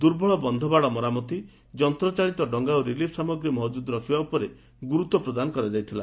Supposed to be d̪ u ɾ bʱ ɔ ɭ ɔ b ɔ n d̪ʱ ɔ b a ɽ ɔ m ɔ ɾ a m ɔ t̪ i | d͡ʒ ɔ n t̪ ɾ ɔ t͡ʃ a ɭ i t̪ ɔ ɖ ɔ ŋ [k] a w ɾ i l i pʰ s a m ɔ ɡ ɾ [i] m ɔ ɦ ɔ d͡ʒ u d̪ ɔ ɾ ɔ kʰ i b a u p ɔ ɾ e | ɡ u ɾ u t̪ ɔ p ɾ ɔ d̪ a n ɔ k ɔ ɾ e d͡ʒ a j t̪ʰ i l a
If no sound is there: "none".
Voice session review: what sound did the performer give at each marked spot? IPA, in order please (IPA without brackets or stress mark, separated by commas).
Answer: ɡ, i